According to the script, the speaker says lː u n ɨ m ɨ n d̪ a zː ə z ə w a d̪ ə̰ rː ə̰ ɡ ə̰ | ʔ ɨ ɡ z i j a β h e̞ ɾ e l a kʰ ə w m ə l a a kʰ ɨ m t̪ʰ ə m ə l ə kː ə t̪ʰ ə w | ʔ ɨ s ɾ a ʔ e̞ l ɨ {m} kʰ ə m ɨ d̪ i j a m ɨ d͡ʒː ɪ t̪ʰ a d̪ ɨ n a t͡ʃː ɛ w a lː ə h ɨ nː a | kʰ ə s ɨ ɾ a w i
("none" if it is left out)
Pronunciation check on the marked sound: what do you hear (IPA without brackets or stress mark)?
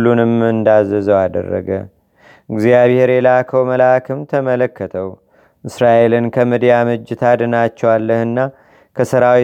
n